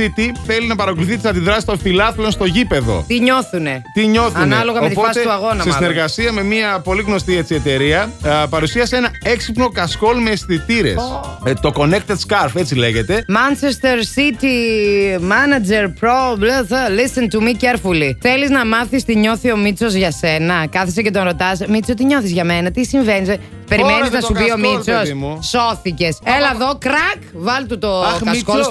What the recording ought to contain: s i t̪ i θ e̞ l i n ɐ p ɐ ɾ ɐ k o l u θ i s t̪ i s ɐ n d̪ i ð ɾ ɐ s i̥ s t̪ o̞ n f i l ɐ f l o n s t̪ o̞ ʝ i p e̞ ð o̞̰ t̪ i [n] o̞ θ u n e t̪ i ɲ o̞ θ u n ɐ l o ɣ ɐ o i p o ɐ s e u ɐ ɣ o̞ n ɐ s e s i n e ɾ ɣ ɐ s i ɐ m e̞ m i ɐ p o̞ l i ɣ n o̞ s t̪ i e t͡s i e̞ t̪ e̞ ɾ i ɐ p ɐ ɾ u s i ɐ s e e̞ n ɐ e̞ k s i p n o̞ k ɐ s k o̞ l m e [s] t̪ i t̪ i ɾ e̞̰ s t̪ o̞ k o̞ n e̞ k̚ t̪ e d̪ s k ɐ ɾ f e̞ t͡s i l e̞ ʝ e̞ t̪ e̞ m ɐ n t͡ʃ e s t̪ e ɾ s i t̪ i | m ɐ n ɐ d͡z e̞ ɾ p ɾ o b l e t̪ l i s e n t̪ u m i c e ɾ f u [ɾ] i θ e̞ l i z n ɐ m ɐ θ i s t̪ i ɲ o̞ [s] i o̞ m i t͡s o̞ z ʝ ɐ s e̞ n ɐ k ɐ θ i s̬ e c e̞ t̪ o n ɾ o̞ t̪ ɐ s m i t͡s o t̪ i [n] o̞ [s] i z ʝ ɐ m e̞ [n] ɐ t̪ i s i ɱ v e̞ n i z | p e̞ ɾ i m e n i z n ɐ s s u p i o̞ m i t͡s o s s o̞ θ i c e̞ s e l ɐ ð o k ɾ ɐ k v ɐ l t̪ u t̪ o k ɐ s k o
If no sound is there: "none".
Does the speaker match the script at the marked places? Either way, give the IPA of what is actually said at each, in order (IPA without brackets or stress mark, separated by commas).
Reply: ɲ, s, l, θ, ɲ, θ, n